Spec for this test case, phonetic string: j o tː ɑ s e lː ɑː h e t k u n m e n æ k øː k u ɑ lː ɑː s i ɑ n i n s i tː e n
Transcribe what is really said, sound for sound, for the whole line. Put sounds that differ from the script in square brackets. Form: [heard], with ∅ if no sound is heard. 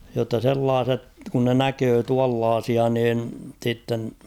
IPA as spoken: j o tː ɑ s e lː ɑː [s] e t k u n [n] e n æ k øː [t] u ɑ lː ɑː s i ɑ n [iː] n s i tː e n